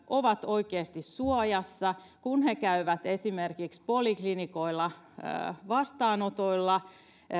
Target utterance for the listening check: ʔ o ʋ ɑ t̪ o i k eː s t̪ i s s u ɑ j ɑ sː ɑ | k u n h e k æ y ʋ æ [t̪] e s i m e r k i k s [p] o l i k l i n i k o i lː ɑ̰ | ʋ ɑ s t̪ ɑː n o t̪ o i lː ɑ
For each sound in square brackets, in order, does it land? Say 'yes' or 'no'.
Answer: yes, yes

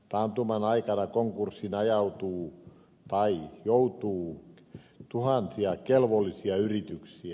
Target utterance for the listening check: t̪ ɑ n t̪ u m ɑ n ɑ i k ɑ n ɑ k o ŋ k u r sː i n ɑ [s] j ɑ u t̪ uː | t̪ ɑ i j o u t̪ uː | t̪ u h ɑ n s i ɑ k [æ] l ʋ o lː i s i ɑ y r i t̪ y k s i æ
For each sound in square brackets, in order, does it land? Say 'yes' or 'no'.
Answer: no, no

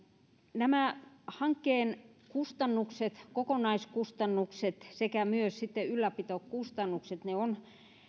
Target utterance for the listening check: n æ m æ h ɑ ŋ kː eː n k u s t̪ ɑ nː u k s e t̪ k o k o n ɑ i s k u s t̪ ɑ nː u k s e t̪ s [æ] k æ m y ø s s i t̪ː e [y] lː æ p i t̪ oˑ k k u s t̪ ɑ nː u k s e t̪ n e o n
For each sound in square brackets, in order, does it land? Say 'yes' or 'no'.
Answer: no, yes

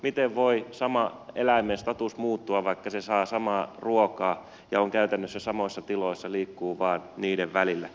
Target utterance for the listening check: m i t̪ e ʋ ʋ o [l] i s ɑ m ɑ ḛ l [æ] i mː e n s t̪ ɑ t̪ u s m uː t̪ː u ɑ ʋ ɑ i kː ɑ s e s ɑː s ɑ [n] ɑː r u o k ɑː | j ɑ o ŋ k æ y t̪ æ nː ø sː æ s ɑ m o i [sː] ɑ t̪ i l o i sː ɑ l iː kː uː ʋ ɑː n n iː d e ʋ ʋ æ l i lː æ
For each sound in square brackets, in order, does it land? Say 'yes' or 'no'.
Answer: no, yes, no, yes

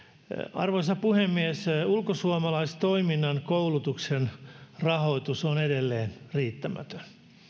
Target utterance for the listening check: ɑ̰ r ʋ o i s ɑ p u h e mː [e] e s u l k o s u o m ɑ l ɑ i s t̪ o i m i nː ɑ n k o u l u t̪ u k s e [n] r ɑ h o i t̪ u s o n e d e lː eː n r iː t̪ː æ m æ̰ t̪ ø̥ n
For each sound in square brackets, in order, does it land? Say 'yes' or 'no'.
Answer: no, yes

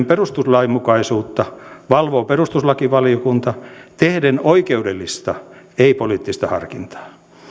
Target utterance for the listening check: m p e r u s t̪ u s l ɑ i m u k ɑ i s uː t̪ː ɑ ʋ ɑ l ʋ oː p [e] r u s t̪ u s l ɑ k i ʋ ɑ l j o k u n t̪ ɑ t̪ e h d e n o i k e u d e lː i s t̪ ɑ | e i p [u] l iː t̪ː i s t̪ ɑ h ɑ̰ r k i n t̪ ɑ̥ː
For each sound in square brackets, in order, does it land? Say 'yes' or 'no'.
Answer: yes, no

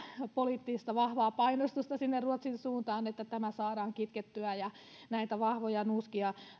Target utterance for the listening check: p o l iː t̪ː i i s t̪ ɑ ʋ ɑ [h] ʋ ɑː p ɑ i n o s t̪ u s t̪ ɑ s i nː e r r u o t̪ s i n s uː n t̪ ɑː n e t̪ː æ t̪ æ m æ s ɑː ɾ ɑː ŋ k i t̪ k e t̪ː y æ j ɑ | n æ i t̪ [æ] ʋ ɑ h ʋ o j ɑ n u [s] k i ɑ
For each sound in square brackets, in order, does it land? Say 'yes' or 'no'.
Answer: yes, yes, yes

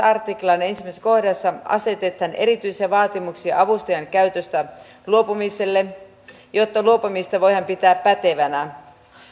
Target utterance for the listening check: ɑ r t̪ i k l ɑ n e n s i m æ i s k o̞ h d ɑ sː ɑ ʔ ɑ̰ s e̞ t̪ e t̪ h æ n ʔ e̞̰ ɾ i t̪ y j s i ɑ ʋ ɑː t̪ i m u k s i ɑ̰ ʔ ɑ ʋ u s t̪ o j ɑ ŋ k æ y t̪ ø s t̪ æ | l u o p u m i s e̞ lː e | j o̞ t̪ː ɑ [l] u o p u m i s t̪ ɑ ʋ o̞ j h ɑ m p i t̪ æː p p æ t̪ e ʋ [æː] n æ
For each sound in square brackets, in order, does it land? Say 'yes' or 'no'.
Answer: yes, no

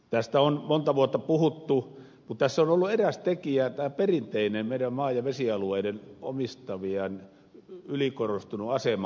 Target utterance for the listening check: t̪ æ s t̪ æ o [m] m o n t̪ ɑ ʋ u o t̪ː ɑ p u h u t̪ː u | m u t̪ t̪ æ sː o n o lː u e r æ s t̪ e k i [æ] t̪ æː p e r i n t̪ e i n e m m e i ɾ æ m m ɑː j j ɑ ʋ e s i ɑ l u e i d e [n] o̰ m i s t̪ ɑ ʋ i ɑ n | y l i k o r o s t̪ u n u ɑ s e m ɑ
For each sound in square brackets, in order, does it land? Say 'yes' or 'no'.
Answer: no, yes, yes

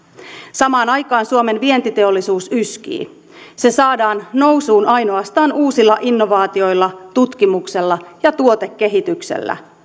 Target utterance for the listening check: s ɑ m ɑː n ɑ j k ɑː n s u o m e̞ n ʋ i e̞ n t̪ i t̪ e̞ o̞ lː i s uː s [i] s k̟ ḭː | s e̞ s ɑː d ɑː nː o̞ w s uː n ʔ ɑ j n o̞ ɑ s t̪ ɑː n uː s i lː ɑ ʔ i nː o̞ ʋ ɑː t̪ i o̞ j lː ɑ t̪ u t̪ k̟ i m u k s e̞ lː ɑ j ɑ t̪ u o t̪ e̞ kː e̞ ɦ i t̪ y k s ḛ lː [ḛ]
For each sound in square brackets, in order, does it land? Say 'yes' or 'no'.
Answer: no, no

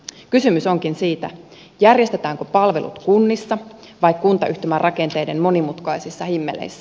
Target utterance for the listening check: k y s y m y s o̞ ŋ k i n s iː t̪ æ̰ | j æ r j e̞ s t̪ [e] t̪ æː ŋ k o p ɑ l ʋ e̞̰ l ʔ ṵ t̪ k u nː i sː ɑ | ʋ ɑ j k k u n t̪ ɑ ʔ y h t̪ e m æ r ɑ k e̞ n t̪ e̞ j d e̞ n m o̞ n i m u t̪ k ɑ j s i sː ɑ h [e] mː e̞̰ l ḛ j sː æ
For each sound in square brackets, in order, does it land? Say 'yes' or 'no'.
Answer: yes, no

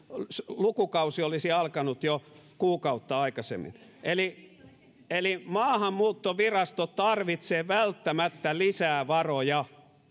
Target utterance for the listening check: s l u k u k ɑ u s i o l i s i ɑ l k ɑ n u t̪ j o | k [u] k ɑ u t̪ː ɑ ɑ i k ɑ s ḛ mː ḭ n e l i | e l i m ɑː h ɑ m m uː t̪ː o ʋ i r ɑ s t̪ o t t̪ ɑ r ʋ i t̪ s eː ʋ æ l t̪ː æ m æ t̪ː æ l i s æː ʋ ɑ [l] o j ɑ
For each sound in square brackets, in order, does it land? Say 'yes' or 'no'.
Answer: no, no

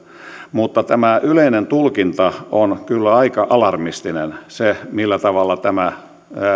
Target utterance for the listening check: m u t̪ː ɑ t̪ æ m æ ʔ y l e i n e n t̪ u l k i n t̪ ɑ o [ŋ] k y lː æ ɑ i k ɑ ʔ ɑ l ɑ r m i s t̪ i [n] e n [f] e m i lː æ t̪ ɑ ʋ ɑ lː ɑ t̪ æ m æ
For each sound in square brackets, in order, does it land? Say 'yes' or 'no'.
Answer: no, yes, no

